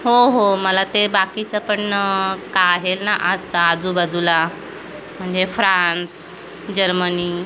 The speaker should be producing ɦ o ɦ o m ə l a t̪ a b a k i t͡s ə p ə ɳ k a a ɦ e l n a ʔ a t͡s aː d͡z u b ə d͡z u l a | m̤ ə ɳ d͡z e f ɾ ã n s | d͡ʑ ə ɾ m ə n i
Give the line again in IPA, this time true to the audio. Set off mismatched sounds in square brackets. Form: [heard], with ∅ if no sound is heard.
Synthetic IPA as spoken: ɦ o ɦ o m ə l a t̪ [e] b a k i t͡s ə p ə ɳ k a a ɦ e l n a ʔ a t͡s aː d͡z u b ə d͡z u l a | m̤ ə ɳ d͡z e f ɾ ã n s | d͡ʑ ə ɾ m ə n i

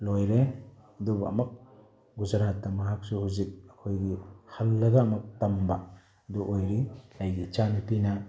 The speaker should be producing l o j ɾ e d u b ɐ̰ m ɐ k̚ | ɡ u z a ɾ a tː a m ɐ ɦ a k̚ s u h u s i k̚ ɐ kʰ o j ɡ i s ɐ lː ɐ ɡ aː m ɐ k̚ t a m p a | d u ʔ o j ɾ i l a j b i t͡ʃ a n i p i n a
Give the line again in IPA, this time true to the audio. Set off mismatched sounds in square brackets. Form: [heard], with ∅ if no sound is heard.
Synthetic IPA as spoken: l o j ɾ e d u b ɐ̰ m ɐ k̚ | ɡ u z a ɾ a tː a m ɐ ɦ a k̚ s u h u [z] i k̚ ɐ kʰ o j ɡ i [h] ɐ lː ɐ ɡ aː m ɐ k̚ t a m [b] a | d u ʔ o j ɾ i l a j [ɡ] i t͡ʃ a n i p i n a

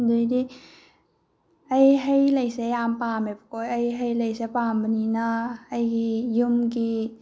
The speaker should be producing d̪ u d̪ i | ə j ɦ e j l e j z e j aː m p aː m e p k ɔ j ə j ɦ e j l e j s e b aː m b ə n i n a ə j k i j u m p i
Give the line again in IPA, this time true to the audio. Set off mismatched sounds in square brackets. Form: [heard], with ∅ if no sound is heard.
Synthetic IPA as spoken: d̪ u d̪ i | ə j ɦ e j l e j [s] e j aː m p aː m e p k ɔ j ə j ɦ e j l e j s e [p] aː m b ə n i n a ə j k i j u m [k] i

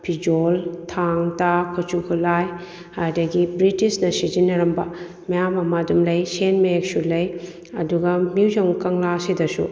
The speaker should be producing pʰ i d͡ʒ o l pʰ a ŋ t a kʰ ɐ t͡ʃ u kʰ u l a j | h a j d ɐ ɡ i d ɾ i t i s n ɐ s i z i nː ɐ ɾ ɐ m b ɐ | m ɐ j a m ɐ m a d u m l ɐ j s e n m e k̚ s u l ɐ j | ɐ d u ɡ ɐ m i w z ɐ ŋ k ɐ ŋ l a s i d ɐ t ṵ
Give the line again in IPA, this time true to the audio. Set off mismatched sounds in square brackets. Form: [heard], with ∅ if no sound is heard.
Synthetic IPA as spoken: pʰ i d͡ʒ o l [tʰ] a ŋ t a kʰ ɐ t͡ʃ u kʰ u l a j | h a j d ɐ ɡ i [b] ɾ i t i s n ɐ s i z i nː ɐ ɾ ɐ m b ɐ | m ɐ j a m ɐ m a d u m l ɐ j s e n m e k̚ s u l ɐ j | ɐ d u ɡ ɐ m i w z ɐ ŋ k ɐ ŋ l a s i d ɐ [s] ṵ

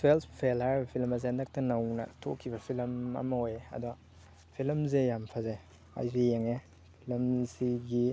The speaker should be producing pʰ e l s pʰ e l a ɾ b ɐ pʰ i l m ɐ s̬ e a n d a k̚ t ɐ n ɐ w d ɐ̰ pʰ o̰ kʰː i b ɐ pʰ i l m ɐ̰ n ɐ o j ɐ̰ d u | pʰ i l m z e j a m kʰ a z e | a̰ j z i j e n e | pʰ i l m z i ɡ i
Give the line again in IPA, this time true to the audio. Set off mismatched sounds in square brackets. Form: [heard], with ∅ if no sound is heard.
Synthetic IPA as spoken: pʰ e l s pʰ e l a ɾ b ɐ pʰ i l m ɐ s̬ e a n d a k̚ t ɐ n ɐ w [n] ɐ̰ [tʰ] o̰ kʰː i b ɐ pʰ i l m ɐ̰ [m] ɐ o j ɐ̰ d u | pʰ i l m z e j a m [pʰ] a z e | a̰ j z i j e [ŋ] e | pʰ i l m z i ɡ i

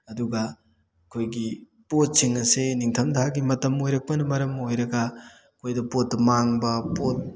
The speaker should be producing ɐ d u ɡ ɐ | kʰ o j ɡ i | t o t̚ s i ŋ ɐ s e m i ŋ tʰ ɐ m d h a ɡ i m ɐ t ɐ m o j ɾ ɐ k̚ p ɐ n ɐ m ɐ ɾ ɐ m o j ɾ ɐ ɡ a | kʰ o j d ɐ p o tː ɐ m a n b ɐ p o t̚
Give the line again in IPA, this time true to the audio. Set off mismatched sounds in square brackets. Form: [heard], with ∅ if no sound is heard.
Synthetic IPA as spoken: ɐ d u ɡ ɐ | kʰ o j ɡ i | [p] o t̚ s i ŋ ɐ s e [n] i ŋ tʰ ɐ m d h a ɡ i m ɐ t ɐ m o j ɾ ɐ k̚ p ɐ n ɐ m ɐ ɾ ɐ m o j ɾ ɐ ɡ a | kʰ o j d ɐ p o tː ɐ m a [ŋ] b ɐ p o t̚

